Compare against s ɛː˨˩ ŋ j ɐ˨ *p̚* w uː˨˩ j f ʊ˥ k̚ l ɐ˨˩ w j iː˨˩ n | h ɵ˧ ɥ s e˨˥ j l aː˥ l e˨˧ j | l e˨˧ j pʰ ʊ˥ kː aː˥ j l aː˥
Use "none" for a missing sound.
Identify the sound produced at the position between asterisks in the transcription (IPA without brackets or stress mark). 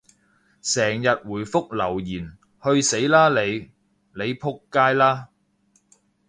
t̚